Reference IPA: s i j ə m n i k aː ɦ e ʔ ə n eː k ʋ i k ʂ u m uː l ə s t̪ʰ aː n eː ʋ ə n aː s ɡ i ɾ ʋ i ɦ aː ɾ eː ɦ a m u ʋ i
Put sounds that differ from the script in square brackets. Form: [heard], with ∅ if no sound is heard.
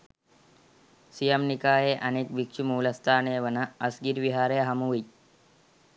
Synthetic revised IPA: s i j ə m n i k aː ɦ e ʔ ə n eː k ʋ i k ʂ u m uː l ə s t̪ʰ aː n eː ʋ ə n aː s ɡ i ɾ ʋ i ɦ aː ɾ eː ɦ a m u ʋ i